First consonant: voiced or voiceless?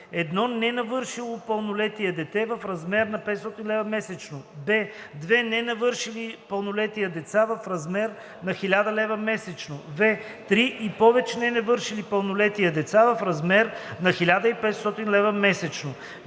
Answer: voiced